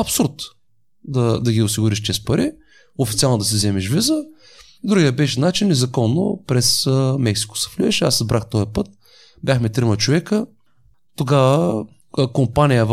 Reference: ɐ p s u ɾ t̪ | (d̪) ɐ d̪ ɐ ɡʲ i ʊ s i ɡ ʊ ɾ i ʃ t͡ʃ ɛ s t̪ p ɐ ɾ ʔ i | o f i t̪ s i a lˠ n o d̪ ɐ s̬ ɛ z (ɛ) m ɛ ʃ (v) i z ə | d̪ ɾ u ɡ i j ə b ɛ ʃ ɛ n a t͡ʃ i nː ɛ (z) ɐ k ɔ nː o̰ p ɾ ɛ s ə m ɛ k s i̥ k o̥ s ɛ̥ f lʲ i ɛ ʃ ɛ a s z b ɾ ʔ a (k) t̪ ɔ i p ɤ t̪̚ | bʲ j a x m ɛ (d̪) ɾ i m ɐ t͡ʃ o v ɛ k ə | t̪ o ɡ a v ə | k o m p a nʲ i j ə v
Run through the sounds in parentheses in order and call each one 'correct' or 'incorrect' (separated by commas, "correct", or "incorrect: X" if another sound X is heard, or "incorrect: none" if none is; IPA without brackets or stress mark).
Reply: correct, correct, correct, correct, incorrect: x, incorrect: t̪